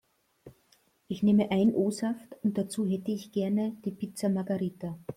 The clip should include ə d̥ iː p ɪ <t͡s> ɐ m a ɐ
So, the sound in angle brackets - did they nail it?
yes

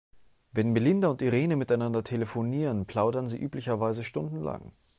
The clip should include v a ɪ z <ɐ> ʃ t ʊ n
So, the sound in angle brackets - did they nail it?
no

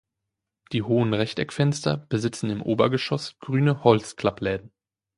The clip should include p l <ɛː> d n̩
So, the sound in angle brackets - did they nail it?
yes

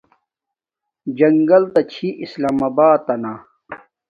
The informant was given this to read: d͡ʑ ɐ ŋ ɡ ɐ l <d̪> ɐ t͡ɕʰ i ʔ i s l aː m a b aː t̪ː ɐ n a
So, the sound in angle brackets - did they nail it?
no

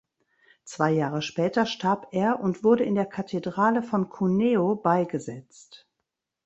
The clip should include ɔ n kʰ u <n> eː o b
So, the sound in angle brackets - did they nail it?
yes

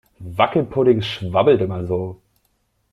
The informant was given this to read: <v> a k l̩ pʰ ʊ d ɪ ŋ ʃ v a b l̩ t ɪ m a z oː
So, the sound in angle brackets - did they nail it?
yes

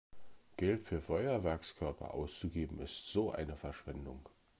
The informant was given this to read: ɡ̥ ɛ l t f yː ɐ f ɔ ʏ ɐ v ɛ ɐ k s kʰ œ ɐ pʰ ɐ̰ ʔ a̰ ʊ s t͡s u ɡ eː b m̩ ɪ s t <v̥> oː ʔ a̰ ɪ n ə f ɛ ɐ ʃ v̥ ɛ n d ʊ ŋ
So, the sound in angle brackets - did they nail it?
no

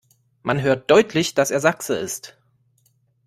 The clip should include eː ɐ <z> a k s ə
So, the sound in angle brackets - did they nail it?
yes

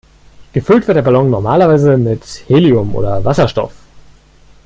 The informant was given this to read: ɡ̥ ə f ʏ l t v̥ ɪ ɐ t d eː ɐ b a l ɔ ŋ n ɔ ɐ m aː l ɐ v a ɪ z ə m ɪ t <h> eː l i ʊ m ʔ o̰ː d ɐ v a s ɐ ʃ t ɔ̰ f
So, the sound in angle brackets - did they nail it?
yes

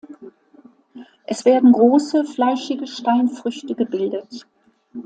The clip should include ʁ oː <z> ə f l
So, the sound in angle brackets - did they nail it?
no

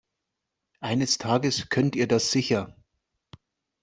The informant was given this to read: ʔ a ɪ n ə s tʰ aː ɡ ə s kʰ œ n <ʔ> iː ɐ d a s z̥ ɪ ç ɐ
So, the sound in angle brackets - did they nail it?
no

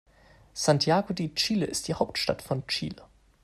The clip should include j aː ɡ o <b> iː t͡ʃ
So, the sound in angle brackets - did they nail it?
no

